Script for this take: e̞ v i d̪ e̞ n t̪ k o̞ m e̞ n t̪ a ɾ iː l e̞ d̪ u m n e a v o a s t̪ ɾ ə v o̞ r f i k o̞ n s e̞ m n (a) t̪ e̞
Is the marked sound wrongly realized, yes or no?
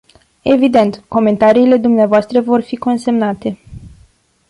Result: no